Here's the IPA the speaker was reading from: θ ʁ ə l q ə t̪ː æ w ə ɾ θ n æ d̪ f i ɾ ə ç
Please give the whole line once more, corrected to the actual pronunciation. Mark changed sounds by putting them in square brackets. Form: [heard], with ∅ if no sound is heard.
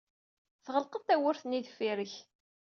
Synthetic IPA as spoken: θ ʁ ə l q ə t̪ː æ w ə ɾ θ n [i] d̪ f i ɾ ə ç